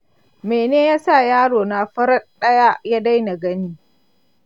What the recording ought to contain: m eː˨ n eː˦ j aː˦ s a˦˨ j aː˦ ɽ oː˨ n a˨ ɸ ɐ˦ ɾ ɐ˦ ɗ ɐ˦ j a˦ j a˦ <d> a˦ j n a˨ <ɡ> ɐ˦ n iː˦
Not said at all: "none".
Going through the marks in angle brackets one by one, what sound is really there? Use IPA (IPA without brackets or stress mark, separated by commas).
d, ɡ